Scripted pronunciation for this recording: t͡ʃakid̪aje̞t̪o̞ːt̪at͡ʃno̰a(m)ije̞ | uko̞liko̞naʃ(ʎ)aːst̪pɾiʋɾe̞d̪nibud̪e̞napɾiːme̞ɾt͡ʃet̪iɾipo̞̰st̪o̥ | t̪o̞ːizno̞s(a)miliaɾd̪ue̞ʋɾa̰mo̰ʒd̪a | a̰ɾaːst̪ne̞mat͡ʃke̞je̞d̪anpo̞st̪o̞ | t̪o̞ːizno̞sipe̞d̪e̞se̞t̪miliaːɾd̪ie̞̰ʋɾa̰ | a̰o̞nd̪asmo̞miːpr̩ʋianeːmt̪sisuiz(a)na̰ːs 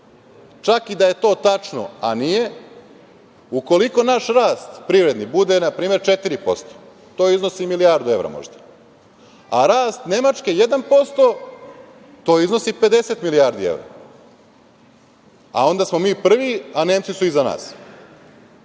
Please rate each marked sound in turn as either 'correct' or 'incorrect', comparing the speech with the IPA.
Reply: incorrect: n, incorrect: ɾ, incorrect: i, correct

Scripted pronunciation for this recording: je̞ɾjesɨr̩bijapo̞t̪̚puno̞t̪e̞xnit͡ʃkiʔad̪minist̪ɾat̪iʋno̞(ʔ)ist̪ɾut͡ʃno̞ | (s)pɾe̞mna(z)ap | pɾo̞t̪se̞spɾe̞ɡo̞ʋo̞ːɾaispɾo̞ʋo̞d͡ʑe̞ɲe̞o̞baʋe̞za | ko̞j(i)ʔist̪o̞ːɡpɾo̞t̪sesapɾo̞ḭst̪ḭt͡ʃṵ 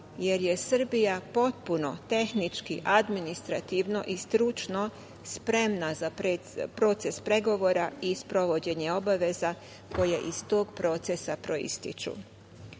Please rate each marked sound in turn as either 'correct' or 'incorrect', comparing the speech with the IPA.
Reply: correct, correct, correct, incorrect: e

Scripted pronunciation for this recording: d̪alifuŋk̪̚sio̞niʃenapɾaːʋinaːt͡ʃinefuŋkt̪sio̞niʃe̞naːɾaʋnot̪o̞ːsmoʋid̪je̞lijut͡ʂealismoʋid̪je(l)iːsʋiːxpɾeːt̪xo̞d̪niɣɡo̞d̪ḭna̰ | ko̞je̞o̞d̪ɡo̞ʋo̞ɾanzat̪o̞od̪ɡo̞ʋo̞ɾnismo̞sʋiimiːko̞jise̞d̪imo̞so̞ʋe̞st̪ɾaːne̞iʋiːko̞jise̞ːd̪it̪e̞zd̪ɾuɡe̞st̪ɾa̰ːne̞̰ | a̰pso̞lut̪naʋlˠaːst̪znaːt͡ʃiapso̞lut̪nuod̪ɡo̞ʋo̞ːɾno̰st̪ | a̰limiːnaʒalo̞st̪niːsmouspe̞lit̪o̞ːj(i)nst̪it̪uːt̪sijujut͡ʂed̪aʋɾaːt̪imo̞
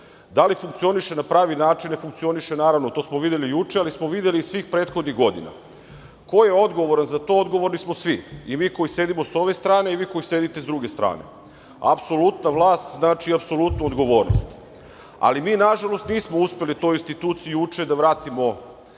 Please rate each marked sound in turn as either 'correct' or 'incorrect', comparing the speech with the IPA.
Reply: correct, correct

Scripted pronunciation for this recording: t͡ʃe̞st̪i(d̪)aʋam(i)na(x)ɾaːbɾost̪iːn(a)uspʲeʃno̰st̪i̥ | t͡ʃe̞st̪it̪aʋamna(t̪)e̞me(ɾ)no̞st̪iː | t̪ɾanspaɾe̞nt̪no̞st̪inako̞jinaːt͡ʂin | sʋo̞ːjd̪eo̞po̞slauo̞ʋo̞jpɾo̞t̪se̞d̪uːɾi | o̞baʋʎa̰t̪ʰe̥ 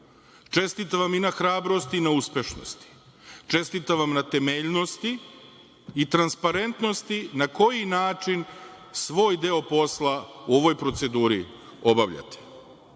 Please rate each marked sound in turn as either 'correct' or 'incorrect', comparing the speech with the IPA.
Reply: incorrect: t̪, correct, correct, correct, correct, incorrect: ʎ

